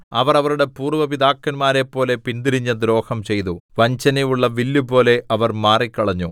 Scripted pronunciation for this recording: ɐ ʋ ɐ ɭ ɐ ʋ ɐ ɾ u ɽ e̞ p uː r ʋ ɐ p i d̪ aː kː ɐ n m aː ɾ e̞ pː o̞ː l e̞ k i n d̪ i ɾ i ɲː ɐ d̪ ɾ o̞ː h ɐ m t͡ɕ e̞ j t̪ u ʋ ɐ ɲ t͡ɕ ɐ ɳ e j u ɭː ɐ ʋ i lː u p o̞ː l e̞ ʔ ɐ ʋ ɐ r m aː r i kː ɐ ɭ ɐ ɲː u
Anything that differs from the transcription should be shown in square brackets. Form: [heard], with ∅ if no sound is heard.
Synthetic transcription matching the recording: ɐ ʋ ɐ [r] ɐ ʋ ɐ ɾ u ɽ e̞ p uː r ʋ ɐ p i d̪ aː kː ɐ n m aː ɾ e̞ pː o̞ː l e̞ [p] i n d̪ i ɾ i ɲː ɐ d̪ ɾ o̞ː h ɐ m t͡ɕ e̞ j t̪ u ʋ ɐ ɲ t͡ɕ ɐ [n] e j u ɭː ɐ ʋ i lː u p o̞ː l e̞ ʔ ɐ ʋ ɐ r m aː r i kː ɐ ɭ ɐ ɲː u